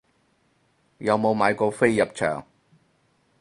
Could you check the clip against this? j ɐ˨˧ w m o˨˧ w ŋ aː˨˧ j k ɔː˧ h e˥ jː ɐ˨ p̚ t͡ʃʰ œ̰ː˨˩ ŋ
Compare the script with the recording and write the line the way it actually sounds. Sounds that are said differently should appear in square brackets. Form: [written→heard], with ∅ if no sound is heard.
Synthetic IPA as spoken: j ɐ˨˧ w m o˨˧ w [ŋ→m] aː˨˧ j k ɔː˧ [h→f] e˥ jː ɐ˨ p̚ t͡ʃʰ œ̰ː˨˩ ŋ